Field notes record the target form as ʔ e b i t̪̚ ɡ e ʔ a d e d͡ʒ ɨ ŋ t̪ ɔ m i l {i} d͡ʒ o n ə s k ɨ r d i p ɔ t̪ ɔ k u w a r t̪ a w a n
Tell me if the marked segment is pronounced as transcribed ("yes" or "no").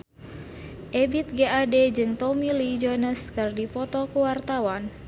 yes